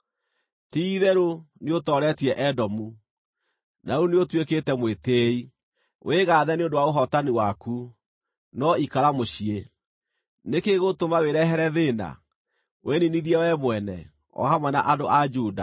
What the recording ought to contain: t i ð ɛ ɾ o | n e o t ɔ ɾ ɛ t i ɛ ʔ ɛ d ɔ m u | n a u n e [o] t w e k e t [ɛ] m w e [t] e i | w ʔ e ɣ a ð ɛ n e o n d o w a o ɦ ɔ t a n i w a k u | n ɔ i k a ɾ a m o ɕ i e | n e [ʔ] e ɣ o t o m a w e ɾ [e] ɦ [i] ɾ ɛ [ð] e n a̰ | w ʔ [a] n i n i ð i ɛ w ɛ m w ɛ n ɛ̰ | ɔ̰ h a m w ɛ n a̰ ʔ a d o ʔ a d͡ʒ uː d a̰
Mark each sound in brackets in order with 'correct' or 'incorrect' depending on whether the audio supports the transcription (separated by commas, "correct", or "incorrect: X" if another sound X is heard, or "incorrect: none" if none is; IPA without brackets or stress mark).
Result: correct, correct, correct, incorrect: k, incorrect: ɛ, incorrect: ɛ, correct, incorrect: e